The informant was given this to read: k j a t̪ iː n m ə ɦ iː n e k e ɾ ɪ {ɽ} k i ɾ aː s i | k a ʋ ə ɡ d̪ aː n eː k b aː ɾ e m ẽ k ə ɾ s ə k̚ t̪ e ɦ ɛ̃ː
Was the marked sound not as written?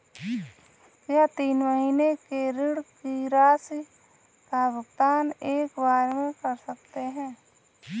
no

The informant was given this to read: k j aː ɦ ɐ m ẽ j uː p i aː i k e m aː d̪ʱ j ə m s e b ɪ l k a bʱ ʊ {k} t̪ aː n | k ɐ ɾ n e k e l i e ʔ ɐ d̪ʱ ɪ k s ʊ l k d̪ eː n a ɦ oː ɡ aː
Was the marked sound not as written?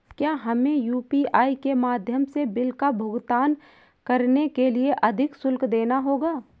yes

